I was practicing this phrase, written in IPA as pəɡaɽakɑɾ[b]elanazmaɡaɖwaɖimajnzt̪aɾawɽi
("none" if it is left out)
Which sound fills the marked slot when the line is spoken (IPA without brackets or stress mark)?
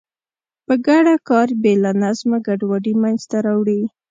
b